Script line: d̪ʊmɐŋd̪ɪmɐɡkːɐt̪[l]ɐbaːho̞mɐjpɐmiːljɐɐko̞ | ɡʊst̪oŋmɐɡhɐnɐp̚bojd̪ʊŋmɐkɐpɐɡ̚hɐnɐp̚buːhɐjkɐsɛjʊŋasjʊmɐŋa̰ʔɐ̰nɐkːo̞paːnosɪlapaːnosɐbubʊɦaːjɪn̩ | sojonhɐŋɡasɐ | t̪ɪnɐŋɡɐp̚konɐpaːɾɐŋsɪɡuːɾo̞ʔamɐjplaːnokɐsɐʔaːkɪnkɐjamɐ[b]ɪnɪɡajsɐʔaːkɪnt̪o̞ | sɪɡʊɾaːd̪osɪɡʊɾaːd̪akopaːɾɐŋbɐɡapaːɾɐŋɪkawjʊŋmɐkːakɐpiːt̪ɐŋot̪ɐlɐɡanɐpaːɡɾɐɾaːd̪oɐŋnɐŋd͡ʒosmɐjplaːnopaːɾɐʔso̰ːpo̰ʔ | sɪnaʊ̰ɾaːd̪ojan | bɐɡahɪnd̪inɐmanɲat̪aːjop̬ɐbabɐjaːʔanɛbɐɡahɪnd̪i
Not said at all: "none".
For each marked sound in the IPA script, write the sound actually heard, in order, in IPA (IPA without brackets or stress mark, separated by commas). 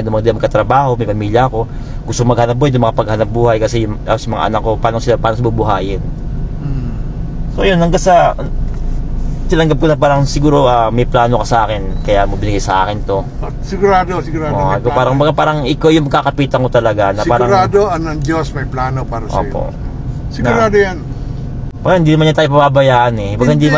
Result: ɾ, b